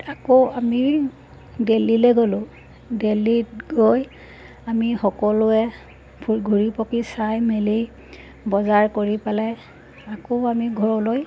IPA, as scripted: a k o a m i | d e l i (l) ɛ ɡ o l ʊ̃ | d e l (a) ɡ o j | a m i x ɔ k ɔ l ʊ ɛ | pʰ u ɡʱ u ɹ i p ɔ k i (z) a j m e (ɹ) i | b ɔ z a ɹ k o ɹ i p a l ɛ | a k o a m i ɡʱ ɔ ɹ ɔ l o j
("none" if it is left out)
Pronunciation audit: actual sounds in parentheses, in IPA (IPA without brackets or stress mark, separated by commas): l, i, s, l